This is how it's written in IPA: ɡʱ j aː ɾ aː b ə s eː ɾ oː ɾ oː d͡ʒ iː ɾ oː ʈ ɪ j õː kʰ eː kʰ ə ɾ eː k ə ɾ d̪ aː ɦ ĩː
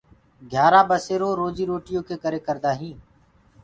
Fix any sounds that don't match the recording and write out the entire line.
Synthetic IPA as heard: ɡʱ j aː ɾ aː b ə s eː ɾ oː ɾ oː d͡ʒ iː ɾ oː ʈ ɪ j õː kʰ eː k ə ɾ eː k ə ɾ d̪ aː ɦ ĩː